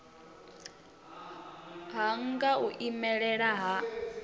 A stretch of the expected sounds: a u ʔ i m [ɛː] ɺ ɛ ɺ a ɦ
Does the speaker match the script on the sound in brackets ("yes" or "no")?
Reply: no